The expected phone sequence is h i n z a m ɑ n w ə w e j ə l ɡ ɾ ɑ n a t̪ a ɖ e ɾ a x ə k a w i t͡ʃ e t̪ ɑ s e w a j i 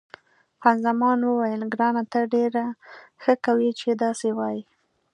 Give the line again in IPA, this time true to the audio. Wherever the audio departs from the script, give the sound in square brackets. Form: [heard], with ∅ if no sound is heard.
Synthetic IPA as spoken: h [a] n z a m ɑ n w ə w [a] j ə l ɡ ɾ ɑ n a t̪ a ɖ e ɾ a x ə k a w i t͡ʃ e [d̪] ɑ s e w [ɑ] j i